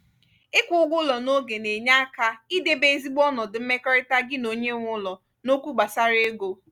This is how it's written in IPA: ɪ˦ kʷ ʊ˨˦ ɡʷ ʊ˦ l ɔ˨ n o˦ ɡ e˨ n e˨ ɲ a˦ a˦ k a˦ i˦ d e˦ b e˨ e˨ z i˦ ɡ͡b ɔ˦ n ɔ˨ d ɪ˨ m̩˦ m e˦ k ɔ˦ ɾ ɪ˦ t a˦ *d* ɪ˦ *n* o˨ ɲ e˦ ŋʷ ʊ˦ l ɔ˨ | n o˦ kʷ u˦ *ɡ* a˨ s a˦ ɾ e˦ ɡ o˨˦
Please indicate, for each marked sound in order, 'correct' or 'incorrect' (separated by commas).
incorrect, correct, incorrect